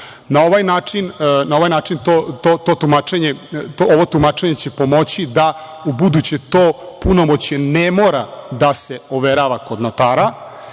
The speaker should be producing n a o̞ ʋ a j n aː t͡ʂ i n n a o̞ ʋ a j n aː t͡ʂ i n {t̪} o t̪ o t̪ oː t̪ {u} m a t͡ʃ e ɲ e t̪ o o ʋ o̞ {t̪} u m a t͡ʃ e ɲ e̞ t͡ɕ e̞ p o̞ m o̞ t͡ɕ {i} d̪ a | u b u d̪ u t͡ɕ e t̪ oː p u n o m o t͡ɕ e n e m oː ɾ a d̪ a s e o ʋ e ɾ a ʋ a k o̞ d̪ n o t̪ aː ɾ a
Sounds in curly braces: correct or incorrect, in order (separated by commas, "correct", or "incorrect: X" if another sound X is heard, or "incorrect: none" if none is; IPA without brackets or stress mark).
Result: correct, correct, correct, correct